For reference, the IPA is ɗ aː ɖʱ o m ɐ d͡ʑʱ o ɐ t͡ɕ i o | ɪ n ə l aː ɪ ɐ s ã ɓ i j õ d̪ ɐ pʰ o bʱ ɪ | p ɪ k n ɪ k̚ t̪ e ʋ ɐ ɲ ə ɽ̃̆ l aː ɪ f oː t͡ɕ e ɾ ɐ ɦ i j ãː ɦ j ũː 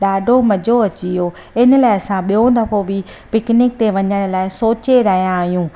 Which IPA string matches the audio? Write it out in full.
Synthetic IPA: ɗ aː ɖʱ o m ɐ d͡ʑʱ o ɐ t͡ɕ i o | ɪ n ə l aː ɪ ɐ s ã ɓ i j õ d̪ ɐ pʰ o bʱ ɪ | p ɪ k n ɪ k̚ t̪ e ʋ ɐ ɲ ə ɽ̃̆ l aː ɪ s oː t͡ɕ e ɾ ɐ ɦ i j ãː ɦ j ũː

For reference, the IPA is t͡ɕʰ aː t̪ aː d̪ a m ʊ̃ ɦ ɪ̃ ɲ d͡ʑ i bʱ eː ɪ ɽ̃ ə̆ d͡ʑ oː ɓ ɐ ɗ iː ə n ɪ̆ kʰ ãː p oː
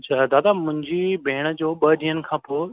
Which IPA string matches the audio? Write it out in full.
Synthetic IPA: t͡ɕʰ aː d̪ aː d̪ a m ʊ̃ ɦ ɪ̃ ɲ d͡ʑ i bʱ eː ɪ ɽ̃ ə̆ d͡ʑ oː ɓ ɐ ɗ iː ə n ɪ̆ kʰ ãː p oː

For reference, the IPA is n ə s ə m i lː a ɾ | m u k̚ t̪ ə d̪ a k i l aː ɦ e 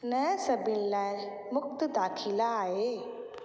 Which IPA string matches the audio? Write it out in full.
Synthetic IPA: n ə s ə b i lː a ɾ | m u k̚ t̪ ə d̪ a kʰ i l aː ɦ e

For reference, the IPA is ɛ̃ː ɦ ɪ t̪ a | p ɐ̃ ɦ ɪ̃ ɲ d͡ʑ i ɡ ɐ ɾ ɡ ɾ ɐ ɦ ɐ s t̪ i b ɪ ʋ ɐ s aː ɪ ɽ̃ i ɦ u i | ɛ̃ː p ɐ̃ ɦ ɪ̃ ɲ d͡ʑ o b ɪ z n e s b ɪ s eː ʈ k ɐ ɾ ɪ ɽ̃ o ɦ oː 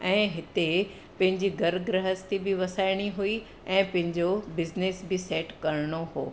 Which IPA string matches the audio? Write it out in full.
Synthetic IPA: ɛ̃ː ɦ ɪ t̪ e | p ɐ̃ ɦ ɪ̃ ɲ d͡ʑ i ɡ ɐ ɾ ɡ ɾ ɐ ɦ ə s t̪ i b ɪ ʋ ɐ s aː ɪ ɽ̃ i ɦ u i | ɛ̃ː p ɐ̃ ɦ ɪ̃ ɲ d͡ʑ o b ɪ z n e s b ɪ s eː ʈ k ɐ ɾ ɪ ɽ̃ o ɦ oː

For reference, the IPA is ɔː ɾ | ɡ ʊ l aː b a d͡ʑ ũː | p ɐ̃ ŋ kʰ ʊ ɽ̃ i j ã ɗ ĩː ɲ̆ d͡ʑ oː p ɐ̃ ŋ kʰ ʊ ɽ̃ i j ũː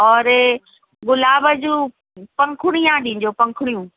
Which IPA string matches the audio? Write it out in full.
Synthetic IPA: ɔː ɾ | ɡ ʊ l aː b ə d͡ʑ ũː | p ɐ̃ ŋ kʰ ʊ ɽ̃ i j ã ɗ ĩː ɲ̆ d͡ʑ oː p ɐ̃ ŋ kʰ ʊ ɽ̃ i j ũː

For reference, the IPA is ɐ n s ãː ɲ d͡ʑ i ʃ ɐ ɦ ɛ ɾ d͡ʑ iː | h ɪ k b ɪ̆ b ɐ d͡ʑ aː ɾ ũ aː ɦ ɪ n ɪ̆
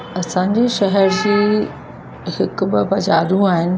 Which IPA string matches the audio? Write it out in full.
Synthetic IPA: ɐ s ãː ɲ d͡ʑ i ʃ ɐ ɦ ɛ ɾ d͡ʑ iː | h ɪ k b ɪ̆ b ɐ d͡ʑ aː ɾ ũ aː ɦ ɪ n ɪ̆

